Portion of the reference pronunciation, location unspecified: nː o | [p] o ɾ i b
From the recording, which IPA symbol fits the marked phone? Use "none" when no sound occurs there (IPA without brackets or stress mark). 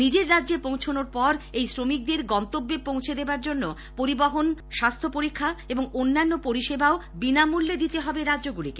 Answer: p